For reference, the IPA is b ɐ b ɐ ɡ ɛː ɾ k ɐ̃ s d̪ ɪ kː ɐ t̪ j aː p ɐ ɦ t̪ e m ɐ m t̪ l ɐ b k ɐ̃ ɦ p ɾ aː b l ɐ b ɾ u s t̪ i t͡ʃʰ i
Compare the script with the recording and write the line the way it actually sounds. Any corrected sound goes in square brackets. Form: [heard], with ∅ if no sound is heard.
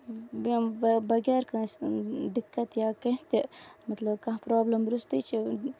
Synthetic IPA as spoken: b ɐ b ɐ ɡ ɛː ɾ k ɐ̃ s d̪ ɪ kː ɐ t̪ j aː [k] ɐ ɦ t̪ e m ɐ [∅] t̪ l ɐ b k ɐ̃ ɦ p ɾ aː b l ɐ [m] ɾ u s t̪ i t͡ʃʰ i